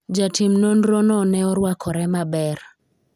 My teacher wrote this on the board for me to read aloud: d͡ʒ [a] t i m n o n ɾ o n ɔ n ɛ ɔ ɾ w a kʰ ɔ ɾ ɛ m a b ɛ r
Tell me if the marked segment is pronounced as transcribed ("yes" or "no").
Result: yes